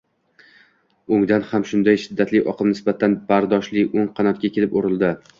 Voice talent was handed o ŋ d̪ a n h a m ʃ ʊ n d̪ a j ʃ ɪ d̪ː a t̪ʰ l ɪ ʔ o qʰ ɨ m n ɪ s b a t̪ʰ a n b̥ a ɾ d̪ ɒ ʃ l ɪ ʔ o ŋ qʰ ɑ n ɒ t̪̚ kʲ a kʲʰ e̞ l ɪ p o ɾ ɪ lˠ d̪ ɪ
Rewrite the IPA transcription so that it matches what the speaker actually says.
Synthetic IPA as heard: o ŋ d̪ a n h a m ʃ ʊ n d̪ a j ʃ ɪ d̪ː a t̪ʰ l ɪ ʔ ɒ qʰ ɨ m n ɪ s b a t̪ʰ a n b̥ a ɾ d̪ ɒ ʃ l ɪ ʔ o ŋ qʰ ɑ n ɒ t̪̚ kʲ a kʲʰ e̞ l ɪ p o ɾ ɪ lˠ d̪ ɪ